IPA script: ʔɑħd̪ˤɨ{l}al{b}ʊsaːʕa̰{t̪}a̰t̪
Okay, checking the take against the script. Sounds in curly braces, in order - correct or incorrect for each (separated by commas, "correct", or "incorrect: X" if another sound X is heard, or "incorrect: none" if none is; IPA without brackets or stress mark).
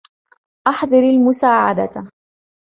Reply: incorrect: ɾ, incorrect: m, incorrect: d̪